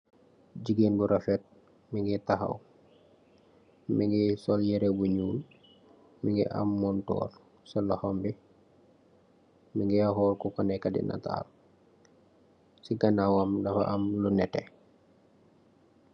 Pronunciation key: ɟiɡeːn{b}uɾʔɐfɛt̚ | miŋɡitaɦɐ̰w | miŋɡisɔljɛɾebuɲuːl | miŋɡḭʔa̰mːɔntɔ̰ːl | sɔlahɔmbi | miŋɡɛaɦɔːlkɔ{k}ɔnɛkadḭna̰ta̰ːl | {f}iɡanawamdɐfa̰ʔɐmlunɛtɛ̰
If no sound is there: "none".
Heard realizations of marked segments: b, k, s

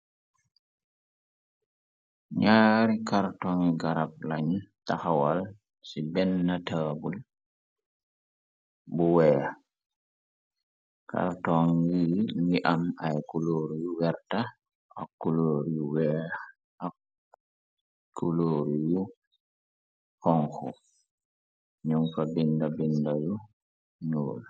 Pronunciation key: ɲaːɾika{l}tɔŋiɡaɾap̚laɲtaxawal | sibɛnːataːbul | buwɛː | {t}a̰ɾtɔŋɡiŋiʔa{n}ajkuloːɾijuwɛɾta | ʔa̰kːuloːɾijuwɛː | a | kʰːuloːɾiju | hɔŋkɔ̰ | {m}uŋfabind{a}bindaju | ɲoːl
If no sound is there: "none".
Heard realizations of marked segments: ɾ, k, m, ɲ, a

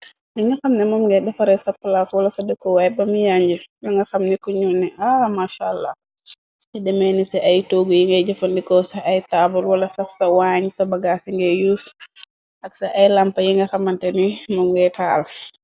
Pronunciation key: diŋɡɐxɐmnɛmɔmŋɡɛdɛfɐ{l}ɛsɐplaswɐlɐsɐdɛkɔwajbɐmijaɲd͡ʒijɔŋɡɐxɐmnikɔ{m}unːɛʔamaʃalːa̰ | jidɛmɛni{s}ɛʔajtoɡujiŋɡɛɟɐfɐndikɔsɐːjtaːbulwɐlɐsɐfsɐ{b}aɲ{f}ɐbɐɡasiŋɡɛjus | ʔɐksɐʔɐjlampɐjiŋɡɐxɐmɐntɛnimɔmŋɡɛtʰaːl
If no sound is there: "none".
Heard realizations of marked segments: ɾ, ɲ, s, w, s

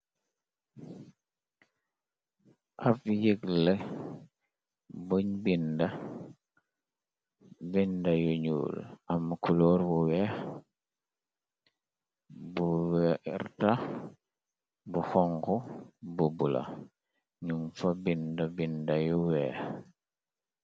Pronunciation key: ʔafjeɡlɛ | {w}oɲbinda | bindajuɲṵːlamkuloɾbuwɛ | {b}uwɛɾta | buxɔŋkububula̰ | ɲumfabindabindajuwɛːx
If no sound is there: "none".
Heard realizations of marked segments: b, b

